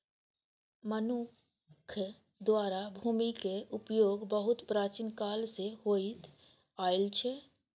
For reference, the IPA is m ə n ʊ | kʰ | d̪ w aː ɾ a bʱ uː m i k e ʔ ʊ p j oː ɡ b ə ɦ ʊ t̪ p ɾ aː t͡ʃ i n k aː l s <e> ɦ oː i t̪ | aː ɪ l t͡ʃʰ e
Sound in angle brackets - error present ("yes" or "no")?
no